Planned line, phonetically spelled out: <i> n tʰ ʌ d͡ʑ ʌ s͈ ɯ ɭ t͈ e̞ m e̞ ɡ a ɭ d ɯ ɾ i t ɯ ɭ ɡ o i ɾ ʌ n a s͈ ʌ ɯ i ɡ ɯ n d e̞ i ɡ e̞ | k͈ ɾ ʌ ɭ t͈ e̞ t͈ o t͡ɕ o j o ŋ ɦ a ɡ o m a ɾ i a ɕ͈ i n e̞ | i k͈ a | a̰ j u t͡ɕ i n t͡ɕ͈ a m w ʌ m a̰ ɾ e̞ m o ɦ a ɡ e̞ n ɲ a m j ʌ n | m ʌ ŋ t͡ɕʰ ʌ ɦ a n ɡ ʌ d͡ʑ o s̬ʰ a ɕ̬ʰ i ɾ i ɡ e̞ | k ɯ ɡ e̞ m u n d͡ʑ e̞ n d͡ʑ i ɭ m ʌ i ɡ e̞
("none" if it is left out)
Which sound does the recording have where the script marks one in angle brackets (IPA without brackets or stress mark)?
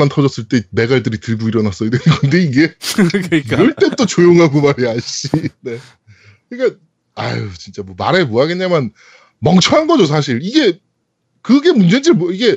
a